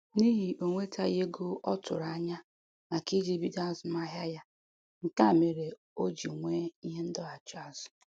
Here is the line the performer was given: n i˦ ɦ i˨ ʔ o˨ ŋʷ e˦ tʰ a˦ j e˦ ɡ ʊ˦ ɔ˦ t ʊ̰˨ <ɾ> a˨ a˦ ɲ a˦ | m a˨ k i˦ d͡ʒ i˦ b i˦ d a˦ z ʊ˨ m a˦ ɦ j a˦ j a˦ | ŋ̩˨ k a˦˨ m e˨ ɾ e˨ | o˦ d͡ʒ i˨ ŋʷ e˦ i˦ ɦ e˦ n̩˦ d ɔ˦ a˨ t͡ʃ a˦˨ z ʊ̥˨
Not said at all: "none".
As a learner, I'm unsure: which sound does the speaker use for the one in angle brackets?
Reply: ɾ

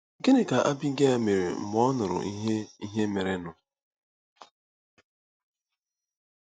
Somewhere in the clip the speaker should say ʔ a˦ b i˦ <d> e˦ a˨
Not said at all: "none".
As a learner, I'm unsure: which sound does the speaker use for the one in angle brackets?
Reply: ɡ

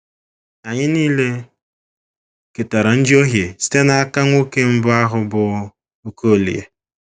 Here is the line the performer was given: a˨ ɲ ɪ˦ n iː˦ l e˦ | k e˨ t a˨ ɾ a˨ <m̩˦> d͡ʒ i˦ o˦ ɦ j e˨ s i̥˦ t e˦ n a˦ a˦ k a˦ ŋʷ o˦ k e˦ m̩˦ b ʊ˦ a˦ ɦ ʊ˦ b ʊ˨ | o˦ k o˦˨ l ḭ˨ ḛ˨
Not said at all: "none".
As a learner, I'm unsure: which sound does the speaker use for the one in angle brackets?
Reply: n̩˦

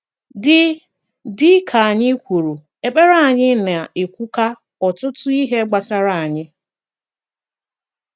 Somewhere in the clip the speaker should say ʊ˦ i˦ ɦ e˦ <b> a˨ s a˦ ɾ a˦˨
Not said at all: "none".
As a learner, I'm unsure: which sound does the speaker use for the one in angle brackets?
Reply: ɡ͡b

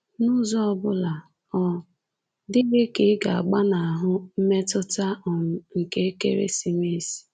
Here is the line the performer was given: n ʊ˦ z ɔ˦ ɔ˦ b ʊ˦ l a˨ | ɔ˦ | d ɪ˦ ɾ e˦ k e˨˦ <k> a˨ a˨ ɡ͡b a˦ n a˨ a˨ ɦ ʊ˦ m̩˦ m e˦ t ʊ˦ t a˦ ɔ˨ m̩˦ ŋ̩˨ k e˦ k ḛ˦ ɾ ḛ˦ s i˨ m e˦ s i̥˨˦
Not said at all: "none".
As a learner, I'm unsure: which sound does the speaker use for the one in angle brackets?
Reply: ɡ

